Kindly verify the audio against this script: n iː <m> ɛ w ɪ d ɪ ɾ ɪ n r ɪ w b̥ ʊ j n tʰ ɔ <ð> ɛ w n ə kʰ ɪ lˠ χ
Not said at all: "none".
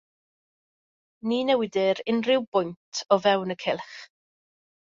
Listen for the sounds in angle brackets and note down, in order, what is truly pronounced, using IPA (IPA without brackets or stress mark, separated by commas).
n, v